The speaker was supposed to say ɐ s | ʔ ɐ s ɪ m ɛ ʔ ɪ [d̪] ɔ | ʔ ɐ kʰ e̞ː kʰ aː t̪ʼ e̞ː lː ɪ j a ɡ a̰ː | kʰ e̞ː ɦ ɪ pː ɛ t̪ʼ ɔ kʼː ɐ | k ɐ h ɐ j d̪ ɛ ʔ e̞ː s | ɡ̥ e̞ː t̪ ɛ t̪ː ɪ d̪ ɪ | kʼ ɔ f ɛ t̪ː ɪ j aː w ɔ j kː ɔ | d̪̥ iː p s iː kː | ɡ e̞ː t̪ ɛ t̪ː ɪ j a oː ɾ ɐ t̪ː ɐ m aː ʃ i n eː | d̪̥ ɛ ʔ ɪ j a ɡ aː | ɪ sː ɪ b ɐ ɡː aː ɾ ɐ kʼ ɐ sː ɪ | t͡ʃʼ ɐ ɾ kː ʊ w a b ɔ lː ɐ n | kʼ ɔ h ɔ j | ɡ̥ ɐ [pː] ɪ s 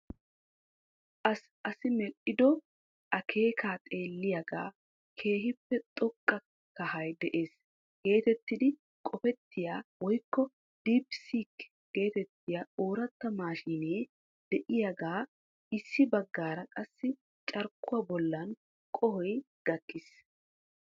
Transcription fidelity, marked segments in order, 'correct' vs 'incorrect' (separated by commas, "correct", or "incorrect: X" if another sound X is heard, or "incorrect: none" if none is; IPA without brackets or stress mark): correct, incorrect: kː